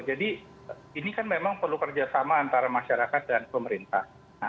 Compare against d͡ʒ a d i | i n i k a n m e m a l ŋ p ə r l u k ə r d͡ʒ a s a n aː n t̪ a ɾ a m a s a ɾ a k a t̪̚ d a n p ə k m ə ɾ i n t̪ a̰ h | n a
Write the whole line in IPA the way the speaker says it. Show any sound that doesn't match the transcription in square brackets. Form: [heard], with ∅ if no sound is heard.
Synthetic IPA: d͡ʒ a d i | i n i k a n m e m a [∅] ŋ p ə r l u k ə r d͡ʒ a s a [m] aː n t̪ a ɾ a m a [ʃ] a ɾ a k a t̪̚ d a n p ə [∅] m ə ɾ i n t̪ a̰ h | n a